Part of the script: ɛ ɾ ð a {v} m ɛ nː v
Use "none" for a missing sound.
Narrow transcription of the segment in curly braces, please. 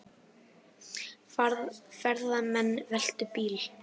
none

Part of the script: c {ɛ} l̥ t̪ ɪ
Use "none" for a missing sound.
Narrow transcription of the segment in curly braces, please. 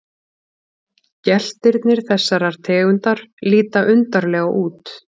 ɛ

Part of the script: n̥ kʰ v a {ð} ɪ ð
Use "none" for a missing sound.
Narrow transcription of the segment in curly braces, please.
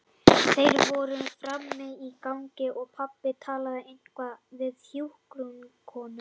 v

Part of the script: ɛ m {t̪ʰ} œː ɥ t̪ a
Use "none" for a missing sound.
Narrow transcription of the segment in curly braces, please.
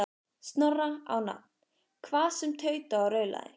t̪ʰ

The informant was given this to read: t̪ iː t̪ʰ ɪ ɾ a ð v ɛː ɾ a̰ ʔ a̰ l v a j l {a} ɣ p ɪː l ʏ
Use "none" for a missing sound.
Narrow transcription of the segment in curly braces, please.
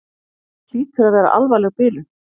ɛ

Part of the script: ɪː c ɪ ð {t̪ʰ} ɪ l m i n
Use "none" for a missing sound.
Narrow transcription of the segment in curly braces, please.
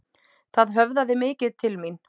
t̪ʰ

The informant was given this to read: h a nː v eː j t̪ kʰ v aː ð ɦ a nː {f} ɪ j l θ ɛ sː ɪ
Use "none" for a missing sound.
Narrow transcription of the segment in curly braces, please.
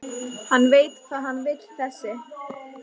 v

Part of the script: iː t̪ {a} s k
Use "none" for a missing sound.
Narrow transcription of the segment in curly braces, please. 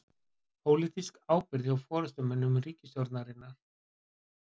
i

